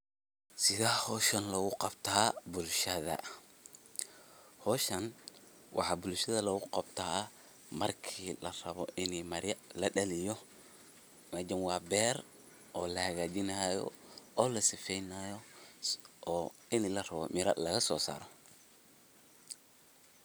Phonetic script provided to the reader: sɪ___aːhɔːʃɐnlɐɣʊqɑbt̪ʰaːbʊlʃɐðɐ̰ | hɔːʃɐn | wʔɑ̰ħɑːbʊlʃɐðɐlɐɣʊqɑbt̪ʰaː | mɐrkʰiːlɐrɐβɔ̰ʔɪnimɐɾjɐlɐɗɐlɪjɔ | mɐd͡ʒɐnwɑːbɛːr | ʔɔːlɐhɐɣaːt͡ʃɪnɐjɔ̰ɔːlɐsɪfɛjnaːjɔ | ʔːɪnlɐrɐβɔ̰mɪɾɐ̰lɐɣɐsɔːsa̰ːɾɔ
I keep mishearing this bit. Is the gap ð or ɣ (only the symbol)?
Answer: ð